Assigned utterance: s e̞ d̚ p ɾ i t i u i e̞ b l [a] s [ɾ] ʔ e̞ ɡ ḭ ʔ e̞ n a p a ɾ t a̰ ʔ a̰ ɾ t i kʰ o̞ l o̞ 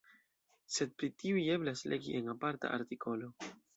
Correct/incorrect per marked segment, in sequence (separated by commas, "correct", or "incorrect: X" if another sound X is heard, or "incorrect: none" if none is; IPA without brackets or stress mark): correct, incorrect: l